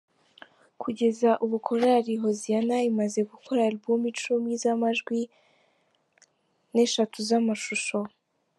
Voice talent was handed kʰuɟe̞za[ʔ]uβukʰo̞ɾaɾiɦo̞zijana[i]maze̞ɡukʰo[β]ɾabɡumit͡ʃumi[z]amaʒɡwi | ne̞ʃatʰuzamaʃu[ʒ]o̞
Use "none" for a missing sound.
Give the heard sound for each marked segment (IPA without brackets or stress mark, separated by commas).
ʔ, i, none, z, ʃ